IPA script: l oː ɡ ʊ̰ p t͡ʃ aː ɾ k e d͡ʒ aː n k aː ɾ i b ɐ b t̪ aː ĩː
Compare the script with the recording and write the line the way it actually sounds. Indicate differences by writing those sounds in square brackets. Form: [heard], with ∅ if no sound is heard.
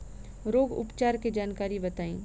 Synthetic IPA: [ɾ] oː ɡ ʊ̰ p t͡ʃ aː ɾ k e d͡ʒ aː n k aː ɾ i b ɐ [∅] t̪ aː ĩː